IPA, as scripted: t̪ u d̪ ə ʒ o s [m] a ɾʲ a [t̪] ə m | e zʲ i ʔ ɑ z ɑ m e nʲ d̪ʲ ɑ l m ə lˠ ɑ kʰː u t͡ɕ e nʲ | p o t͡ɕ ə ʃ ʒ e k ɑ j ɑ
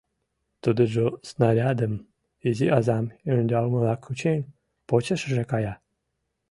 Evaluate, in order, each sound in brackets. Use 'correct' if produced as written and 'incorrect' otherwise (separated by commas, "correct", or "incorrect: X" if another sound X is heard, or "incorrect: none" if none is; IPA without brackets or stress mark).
incorrect: n, incorrect: d̪